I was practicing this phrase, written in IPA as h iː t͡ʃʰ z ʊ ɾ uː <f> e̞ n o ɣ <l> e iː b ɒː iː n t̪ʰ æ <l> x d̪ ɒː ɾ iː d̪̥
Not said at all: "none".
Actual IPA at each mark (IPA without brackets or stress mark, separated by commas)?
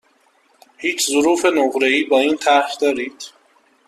f, ɾ, ɾ